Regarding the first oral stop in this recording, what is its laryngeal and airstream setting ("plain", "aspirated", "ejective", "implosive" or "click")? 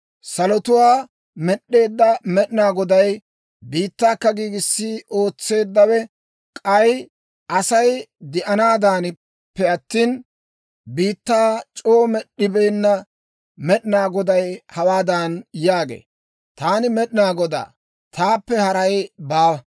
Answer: plain